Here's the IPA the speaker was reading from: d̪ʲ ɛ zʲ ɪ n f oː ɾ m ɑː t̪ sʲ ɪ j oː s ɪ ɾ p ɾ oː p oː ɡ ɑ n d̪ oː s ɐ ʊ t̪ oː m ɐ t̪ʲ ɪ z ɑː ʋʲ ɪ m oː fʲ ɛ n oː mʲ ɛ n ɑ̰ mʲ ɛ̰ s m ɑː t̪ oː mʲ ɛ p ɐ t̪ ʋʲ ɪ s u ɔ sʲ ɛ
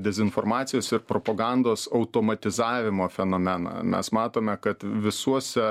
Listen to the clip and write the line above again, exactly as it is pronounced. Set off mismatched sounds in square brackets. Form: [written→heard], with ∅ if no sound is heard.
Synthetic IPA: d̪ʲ ɛ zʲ ɪ n f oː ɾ m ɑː t̪ sʲ ɪ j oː s ɪ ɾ p ɾ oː p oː ɡ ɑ n d̪ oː s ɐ ʊ t̪ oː m ɐ t̪ʲ ɪ z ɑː ʋʲ ɪ m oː fʲ ɛ n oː mʲ ɛ n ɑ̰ mʲ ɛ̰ s m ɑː t̪ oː mʲ ɛ [p→k] ɐ t̪ ʋʲ ɪ s u ɔ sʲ ɛ